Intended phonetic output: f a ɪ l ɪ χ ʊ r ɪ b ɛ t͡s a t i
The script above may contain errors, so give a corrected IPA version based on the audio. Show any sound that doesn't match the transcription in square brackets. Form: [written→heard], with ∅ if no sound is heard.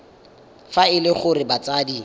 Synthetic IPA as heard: f a ɪ l ɪ χ ʊ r ɪ b [ɛ→a] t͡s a [t→d] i